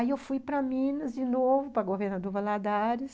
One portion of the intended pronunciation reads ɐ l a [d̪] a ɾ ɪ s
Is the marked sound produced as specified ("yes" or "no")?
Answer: yes